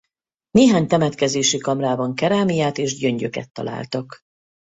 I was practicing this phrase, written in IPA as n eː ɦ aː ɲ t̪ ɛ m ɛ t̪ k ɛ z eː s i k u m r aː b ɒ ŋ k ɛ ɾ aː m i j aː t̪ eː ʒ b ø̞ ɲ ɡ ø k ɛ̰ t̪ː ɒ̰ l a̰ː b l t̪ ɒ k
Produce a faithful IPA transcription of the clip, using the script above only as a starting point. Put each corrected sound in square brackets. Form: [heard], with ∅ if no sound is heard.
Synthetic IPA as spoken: n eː ɦ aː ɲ t̪ ɛ m ɛ t̪ k ɛ z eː [ʃ] i k [ɒ] m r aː b ɒ ŋ k ɛ ɾ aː m i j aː t̪ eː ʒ [ɟ] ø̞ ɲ [ɟ] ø k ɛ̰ t̪ː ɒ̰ l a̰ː [∅] l t̪ ɒ k